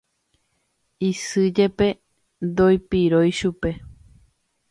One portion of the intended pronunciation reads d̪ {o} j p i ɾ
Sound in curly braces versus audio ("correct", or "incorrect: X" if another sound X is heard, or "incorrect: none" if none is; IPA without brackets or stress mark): correct